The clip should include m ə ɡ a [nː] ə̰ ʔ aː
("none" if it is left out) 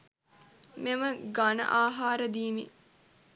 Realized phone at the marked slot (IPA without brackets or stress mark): n